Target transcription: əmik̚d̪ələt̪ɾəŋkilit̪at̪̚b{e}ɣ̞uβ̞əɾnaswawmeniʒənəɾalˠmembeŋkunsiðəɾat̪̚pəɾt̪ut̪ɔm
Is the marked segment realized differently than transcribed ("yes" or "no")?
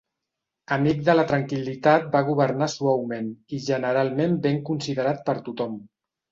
yes